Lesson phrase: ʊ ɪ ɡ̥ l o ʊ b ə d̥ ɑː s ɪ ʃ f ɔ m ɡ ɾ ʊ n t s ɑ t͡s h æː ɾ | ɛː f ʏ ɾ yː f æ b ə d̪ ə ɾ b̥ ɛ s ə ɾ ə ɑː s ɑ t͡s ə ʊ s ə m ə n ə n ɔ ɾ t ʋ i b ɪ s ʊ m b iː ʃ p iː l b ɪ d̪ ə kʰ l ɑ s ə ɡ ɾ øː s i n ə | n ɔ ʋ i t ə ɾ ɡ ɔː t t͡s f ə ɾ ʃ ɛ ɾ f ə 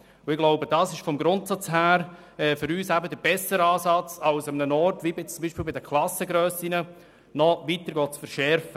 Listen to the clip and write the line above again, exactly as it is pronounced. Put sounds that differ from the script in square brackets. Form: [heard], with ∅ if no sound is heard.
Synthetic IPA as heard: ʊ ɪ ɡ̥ l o ʊ b ə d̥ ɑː s ɪ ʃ f ɔ m ɡ ɾ ʊ n t s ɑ t͡s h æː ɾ | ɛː f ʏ ɾ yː [s] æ b ə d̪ ə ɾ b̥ ɛ s ə ɾ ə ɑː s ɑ t͡s [ɑ] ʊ s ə m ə n ə n ɔ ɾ t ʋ i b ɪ [t͡s] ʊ m b iː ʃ p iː l b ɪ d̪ ə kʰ l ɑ s ə ɡ ɾ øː s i n ə | n ɔ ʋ i t ə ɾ ɡ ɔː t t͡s f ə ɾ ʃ ɛ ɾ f ə